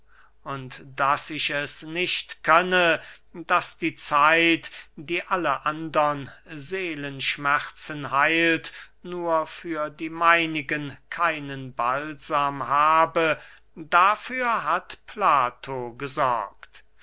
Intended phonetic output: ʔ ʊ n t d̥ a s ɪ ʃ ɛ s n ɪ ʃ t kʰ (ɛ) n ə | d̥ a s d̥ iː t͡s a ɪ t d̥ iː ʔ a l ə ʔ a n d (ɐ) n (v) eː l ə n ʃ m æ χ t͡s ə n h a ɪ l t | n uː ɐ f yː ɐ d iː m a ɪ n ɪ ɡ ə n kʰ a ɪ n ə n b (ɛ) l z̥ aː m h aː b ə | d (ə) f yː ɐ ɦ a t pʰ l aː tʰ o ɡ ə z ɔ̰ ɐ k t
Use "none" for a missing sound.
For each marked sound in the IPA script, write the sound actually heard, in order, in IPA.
œ, ɐ, z, a, a

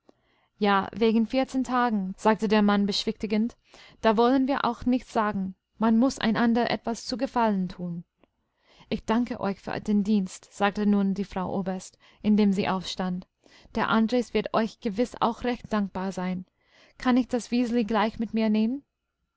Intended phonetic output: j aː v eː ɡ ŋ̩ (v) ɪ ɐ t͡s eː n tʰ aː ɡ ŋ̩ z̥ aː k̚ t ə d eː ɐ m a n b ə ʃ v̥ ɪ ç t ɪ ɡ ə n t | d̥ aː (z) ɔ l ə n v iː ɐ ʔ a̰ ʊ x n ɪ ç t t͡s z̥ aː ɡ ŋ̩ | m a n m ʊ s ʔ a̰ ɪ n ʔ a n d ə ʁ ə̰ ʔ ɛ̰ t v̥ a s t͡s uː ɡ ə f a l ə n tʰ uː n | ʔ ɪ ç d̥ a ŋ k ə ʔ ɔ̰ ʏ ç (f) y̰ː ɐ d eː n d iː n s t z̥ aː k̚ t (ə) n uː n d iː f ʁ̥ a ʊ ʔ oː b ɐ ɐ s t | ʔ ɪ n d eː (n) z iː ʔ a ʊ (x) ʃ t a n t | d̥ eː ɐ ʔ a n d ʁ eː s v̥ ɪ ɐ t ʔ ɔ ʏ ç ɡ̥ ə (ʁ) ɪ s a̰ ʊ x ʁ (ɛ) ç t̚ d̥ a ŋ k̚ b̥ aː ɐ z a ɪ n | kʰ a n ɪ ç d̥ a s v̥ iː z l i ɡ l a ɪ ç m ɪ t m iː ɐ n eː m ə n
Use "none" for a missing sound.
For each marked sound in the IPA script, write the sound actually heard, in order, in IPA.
f, v, f, ə, m, f, v, ɛ

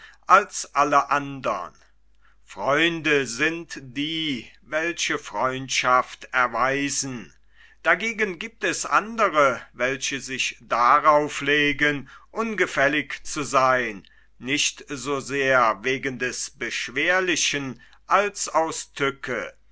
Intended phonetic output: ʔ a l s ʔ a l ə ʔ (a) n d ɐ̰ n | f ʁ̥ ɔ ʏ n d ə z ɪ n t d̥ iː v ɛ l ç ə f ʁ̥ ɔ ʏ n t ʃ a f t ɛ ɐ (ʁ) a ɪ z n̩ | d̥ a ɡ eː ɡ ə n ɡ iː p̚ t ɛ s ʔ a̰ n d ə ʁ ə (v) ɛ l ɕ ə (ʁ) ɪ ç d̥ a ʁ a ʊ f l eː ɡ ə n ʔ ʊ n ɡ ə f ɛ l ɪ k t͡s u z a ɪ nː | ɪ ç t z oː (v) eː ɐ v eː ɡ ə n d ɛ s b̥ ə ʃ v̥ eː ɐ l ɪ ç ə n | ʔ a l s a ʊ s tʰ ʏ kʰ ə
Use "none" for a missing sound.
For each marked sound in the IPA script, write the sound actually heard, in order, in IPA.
a, v, v, z, z

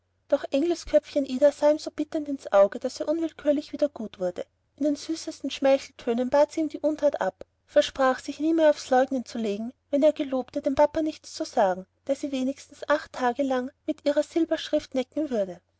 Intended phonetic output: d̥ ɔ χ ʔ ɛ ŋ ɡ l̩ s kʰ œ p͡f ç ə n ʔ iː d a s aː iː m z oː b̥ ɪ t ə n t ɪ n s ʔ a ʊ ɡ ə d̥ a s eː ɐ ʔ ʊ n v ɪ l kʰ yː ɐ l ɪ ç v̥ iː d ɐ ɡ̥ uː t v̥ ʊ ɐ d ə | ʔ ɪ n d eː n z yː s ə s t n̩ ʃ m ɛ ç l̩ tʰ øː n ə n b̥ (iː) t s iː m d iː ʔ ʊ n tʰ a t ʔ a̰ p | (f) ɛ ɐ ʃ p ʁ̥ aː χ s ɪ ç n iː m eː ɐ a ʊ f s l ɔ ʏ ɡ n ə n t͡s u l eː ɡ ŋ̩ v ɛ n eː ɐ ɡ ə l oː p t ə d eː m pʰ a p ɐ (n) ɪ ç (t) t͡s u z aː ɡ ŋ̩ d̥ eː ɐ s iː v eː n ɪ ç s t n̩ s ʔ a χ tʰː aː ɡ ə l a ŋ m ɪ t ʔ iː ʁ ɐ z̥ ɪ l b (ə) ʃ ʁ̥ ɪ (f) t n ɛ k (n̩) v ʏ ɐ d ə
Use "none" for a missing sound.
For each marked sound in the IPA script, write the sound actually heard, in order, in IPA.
aː, f, n, t͡s, ɐ, f, ŋ̩

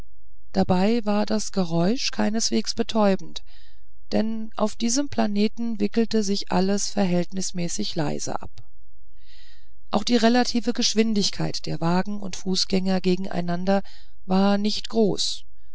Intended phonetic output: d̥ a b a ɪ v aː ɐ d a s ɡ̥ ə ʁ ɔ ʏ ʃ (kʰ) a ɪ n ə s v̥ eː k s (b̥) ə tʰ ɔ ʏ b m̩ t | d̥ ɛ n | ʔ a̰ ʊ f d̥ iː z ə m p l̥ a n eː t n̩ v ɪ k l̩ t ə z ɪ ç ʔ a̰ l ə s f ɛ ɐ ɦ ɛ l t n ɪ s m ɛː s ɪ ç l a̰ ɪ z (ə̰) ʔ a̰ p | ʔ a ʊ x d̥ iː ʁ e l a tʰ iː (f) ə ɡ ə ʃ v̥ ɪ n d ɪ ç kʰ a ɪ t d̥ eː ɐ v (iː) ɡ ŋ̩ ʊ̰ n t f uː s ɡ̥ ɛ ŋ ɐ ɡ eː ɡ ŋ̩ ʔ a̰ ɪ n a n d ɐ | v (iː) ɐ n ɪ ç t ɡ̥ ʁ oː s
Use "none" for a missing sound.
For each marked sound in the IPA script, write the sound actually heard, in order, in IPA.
kʰ, b̥, ə̰, v, aː, aː

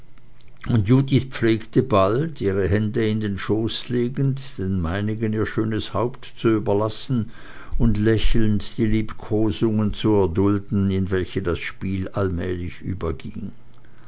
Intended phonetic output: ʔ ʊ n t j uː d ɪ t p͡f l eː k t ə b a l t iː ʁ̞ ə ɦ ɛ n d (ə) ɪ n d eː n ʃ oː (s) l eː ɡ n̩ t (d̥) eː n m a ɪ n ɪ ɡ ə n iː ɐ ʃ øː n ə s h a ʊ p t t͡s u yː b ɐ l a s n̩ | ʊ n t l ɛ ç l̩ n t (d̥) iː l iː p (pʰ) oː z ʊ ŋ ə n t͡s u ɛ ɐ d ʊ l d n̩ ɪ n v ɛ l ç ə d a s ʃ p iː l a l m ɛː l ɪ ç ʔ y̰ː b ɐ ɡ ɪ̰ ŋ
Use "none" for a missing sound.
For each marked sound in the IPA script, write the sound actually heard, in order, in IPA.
ə, s, d̥, d̥, kʰ

